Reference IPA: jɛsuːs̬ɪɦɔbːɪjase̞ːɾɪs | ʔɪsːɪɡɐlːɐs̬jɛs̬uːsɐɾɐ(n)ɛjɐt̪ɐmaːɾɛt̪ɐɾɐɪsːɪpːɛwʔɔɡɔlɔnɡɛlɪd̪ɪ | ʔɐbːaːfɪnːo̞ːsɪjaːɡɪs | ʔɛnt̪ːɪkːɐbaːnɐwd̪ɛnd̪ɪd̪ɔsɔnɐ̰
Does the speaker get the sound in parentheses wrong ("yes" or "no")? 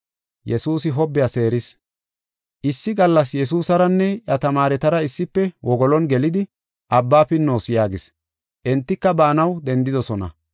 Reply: yes